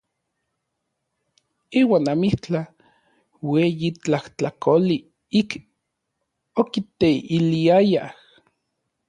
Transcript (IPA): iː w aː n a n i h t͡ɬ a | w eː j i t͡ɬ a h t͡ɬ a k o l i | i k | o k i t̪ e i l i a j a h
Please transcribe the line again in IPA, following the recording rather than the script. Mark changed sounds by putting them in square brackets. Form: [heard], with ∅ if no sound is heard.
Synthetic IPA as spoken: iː w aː n a [m] i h t͡ɬ a | w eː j i t͡ɬ a h t͡ɬ a k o l i | i k | o k i t̪ e i l i a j a h